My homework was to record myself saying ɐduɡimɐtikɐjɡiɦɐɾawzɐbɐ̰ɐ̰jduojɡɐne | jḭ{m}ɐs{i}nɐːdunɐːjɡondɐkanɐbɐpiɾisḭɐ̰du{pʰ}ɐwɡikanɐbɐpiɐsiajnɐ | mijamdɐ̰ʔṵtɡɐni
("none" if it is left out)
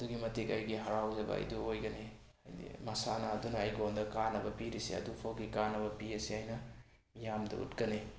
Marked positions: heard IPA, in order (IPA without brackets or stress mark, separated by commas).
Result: m, a, pʰ